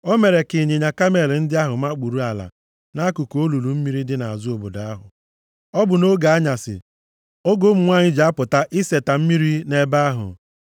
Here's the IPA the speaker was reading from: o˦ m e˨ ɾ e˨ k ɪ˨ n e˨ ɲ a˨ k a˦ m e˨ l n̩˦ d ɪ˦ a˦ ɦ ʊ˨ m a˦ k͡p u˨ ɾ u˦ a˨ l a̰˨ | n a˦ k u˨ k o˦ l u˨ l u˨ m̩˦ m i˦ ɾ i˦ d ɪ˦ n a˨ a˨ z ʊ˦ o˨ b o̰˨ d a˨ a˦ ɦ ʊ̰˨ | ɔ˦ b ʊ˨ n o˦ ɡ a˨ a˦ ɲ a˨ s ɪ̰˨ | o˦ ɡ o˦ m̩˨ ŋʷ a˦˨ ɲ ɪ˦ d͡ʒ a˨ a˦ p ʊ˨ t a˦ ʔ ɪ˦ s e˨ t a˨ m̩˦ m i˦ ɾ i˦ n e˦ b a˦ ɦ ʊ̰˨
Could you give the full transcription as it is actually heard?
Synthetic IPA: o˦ m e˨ ɾ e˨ k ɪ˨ ɲ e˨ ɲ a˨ k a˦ m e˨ l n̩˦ d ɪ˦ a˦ ɦ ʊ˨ m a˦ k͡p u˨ ɾ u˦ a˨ l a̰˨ | n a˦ k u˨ k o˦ l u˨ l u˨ m̩˦ m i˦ ɾ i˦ d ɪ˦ n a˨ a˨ z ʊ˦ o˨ b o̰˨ d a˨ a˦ ɦ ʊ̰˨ | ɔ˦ b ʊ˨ n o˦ ɡ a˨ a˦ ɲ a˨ s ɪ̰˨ | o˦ ɡ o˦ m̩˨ ŋʷ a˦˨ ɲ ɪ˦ d͡ʒ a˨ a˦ p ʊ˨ t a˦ ʔ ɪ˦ s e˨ t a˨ m̩˦ m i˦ ɾ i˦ n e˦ b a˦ ɦ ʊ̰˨